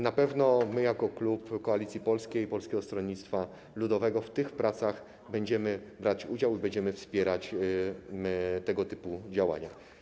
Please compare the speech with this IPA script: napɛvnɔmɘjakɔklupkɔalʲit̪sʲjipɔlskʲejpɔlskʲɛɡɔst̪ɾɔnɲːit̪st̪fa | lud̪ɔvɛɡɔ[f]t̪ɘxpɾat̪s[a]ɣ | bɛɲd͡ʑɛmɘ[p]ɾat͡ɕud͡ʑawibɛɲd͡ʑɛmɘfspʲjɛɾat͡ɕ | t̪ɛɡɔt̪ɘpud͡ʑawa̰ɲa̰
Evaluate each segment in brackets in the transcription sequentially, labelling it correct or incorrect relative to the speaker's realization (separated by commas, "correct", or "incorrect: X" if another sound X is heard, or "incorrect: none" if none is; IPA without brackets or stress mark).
correct, correct, incorrect: b